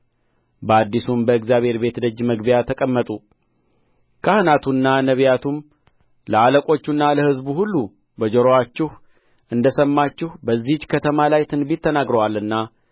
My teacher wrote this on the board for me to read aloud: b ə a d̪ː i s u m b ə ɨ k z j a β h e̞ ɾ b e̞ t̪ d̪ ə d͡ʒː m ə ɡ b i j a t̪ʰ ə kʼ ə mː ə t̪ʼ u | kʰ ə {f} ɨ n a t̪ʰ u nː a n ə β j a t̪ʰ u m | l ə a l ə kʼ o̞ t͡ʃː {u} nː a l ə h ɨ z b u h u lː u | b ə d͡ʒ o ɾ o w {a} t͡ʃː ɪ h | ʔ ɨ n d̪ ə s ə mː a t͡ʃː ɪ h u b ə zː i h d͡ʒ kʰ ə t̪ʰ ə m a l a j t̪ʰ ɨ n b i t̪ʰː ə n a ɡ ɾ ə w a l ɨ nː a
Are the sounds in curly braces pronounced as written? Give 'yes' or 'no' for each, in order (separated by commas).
no, yes, yes